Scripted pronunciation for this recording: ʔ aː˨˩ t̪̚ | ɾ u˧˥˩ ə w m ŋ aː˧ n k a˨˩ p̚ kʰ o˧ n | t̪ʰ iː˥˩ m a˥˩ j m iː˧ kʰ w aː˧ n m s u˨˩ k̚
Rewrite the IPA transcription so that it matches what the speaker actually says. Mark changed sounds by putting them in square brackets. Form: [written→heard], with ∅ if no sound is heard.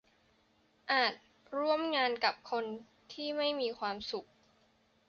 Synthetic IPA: ʔ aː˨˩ t̪̚ | ɾ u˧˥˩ ə [w→∅] m ŋ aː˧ n k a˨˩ p̚ kʰ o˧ n | t̪ʰ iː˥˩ m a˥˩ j m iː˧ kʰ w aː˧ [n→∅] m s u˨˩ k̚

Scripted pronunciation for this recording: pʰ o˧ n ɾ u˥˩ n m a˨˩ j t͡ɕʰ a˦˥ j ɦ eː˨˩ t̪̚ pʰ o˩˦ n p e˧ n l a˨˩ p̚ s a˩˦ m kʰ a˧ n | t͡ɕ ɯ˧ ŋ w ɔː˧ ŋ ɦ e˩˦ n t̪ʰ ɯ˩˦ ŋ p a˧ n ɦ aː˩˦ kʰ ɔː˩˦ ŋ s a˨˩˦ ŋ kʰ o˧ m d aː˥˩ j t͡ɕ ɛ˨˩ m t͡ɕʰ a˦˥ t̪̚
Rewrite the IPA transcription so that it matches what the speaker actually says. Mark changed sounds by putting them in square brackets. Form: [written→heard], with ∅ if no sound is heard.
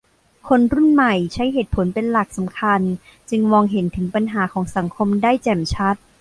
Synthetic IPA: [pʰ→kʰ] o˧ n ɾ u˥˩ n m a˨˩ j t͡ɕʰ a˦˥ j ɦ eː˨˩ t̪̚ pʰ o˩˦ n p e˧ n l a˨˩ [p̚→k̚] s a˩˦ m kʰ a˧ n | t͡ɕ ɯ˧ ŋ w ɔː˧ ŋ ɦ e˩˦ n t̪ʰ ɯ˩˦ ŋ p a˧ n ɦ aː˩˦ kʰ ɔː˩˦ ŋ s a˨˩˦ ŋ kʰ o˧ m d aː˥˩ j t͡ɕ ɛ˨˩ m t͡ɕʰ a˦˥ t̪̚

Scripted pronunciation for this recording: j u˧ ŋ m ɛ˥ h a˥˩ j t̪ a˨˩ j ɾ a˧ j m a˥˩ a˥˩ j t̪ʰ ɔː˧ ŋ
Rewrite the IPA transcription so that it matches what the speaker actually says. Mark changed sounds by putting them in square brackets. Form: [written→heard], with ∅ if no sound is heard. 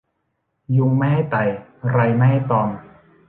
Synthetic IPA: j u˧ ŋ m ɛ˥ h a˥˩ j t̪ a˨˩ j ɾ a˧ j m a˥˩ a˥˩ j [t̪ʰ→t̪] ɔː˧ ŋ

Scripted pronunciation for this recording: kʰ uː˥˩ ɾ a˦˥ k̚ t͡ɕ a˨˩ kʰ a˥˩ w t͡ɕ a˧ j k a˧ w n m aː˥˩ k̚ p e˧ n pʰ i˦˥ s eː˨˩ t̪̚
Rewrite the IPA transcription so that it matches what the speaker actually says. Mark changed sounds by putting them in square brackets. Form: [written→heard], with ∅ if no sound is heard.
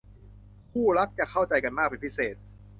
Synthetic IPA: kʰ uː˥˩ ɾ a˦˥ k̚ t͡ɕ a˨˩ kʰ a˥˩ w t͡ɕ a˧ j k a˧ [w→∅] n m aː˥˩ k̚ p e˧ n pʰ i˦˥ s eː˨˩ t̪̚

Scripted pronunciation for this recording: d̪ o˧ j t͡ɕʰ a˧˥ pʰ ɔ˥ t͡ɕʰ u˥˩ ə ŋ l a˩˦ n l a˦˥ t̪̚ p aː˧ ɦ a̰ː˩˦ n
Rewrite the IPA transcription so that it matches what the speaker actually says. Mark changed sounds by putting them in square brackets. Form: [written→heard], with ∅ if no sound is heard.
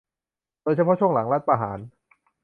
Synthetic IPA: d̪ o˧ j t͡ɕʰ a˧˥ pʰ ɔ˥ t͡ɕʰ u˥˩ ə ŋ l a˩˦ [n→ŋ] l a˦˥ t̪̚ p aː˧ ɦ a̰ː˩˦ n

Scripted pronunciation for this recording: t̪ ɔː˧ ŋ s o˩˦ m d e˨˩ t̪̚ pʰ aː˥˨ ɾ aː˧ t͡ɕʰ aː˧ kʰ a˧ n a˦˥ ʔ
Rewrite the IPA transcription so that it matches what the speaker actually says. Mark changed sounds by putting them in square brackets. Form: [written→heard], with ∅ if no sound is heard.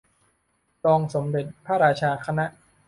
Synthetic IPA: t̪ ɔː˧ ŋ s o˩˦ m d e˨˩ t̪̚ pʰ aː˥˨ ɾ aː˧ t͡ɕʰ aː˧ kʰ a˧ n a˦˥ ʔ

